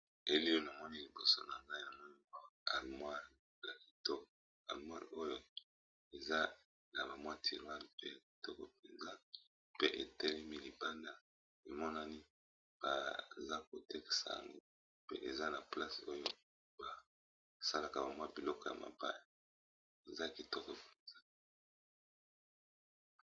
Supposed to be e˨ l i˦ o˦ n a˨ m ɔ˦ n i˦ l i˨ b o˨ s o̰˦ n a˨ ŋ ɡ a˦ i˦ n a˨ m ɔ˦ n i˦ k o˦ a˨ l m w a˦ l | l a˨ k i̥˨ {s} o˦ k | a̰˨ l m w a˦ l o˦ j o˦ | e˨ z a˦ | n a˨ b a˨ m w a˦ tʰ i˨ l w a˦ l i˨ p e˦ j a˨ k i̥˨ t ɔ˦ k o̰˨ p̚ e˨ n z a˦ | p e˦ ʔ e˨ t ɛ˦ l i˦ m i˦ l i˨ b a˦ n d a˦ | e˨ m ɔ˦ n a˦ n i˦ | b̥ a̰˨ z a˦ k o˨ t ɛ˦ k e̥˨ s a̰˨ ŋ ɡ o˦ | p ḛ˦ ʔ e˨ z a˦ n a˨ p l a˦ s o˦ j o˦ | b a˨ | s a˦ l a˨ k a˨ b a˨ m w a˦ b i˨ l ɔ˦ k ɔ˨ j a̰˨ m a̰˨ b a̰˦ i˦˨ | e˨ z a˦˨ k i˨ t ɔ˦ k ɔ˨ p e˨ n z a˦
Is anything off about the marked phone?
yes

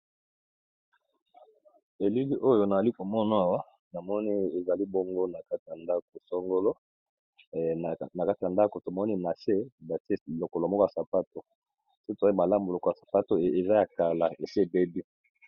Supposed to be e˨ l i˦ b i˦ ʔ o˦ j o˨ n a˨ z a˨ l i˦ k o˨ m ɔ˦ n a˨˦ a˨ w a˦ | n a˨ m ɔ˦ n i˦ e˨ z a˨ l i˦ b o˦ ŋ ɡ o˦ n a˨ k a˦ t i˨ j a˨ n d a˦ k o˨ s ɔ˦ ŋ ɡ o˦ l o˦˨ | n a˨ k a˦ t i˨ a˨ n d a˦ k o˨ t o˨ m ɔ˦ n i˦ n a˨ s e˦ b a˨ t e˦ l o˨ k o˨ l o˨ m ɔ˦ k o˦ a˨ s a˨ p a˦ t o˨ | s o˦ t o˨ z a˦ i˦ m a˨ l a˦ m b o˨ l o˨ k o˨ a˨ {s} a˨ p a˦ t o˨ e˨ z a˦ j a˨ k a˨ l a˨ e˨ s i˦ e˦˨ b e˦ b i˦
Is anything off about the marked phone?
no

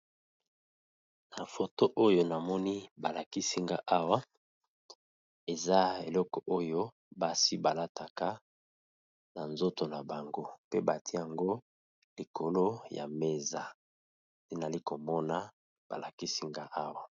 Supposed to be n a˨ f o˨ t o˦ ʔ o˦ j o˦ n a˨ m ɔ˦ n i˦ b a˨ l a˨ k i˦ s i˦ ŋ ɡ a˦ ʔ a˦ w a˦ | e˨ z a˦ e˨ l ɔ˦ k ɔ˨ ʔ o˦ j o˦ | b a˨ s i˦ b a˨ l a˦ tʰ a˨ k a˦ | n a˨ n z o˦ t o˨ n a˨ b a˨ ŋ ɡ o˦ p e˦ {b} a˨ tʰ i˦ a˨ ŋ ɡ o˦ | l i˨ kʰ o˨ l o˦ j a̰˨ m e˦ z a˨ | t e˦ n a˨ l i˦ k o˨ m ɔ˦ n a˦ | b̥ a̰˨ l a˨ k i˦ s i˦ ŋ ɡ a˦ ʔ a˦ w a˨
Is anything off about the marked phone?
no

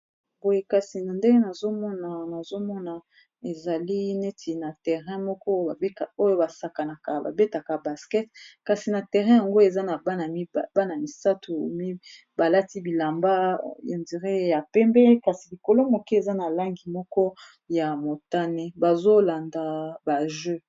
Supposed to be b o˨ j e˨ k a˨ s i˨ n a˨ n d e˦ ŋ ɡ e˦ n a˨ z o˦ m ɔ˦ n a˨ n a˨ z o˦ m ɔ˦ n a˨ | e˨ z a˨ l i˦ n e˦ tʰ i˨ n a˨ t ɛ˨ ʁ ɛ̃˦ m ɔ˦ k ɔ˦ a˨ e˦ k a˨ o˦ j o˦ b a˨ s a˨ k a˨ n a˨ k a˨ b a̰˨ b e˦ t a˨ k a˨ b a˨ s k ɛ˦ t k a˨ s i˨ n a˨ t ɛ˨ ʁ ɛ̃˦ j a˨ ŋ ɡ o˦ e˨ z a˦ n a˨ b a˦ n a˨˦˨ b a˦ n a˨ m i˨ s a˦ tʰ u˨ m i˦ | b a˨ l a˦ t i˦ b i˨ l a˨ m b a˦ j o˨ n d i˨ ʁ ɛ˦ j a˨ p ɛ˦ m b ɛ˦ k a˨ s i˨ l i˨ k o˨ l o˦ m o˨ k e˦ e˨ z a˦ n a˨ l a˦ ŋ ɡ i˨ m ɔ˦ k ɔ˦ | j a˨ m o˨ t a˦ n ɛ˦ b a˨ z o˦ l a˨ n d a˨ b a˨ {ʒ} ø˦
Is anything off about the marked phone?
no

